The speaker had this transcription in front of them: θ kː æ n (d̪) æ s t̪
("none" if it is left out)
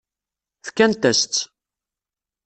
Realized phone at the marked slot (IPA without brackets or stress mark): t̪